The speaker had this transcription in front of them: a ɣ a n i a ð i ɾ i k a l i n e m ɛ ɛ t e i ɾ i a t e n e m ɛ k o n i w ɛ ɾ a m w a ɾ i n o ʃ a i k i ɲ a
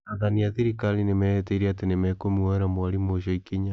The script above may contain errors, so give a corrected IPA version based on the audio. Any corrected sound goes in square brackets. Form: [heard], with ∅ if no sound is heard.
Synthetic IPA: a [ð] a n i a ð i ɾ i k a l i n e m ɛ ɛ t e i ɾ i a t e n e m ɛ k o [m] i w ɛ ɾ a m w a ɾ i [m] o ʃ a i k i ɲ a